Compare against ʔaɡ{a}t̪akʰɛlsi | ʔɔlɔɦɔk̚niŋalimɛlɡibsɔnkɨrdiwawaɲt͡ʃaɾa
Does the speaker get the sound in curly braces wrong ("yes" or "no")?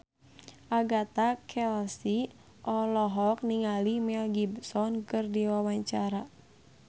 no